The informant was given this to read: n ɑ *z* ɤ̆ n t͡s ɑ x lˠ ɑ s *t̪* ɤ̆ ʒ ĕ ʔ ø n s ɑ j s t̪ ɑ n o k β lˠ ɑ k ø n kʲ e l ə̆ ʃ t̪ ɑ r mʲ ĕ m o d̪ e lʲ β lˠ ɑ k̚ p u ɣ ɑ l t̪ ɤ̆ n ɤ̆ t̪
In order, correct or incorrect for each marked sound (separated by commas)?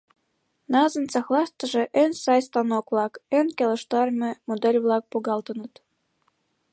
correct, correct